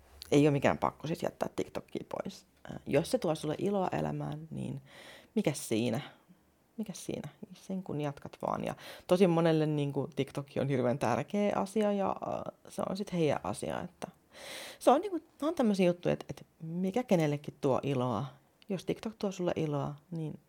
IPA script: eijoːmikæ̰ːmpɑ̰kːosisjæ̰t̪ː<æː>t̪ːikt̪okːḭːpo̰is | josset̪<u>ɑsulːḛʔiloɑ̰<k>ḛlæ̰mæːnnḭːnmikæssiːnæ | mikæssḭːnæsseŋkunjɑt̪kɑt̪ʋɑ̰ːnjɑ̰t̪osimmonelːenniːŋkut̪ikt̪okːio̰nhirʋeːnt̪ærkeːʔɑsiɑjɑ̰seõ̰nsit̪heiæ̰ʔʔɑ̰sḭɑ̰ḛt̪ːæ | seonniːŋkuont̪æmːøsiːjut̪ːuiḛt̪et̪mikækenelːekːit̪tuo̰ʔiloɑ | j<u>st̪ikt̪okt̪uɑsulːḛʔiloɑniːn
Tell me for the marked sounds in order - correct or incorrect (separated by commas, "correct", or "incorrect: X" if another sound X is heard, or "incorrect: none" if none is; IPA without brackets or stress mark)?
correct, correct, incorrect: ʔ, incorrect: o